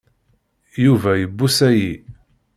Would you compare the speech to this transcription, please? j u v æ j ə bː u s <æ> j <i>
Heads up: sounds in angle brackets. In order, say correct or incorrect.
correct, correct

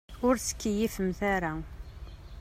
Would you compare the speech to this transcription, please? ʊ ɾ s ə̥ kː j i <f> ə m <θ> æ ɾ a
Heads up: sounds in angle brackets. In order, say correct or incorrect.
correct, correct

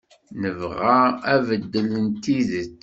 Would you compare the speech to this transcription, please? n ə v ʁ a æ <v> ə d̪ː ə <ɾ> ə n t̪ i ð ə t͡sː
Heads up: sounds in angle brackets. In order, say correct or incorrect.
correct, incorrect: l

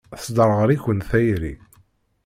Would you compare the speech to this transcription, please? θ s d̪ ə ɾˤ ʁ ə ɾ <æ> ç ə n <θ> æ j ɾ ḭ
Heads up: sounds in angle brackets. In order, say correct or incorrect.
incorrect: i, correct

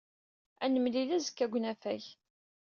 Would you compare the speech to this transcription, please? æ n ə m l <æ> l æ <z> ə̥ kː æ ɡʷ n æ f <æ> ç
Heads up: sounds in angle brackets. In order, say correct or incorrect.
incorrect: i, correct, correct

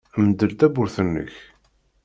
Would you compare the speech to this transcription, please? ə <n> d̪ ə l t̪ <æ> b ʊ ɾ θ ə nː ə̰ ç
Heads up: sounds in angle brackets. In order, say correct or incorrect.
incorrect: m, correct

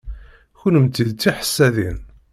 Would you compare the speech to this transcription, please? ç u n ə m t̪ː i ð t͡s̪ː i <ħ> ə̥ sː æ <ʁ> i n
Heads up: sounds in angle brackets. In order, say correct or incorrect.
correct, incorrect: ð

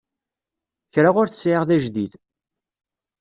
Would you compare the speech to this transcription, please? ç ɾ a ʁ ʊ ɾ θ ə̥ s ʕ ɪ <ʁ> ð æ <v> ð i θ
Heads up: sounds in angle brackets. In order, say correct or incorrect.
correct, incorrect: ʒ

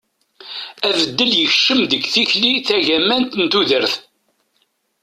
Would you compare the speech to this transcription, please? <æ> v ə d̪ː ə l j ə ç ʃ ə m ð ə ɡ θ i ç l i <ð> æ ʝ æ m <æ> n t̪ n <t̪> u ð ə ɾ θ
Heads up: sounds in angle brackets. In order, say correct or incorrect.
correct, incorrect: θ, correct, correct

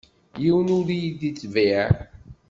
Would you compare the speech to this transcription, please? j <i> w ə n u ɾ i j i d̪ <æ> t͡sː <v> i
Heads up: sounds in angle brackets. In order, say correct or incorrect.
correct, incorrect: i, correct

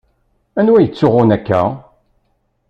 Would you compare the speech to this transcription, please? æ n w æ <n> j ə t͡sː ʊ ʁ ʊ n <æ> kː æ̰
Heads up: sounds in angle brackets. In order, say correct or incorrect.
incorrect: none, correct

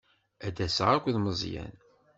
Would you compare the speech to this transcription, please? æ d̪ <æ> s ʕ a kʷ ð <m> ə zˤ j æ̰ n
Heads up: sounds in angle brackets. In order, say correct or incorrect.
correct, correct

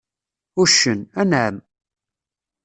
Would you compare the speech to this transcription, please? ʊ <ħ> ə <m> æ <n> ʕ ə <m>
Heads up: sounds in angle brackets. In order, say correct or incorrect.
incorrect: ʃ, incorrect: n, correct, correct

